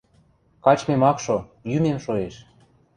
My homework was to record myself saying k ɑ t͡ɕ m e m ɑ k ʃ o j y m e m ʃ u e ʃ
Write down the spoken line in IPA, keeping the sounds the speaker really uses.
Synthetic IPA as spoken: k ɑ t͡ɕ m e m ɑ k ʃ o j y m e m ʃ o e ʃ

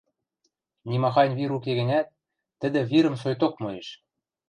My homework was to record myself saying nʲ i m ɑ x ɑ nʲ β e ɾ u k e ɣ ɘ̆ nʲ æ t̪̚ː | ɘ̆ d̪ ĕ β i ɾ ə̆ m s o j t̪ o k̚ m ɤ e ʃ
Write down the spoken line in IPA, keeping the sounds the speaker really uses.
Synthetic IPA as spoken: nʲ i m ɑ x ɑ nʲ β i ɾ u k e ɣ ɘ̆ nʲ æ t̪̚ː | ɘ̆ d̪ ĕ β i ɾ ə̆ m s o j t̪ o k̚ m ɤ e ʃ

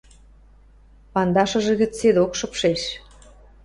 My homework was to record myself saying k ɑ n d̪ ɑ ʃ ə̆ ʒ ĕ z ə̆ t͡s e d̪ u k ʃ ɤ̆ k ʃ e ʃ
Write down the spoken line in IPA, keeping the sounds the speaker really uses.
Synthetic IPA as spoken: p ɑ n d̪ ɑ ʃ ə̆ ʒ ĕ ɣ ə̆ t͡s e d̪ o k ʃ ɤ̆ p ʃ e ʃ

